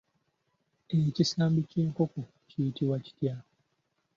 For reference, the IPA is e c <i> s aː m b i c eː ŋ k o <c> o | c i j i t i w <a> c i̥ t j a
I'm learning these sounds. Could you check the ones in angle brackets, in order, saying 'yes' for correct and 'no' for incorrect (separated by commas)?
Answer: yes, no, yes